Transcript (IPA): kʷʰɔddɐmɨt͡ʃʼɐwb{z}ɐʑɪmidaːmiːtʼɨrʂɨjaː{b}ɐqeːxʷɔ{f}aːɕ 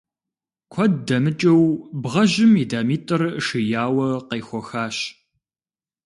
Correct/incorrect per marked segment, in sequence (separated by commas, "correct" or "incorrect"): incorrect, incorrect, incorrect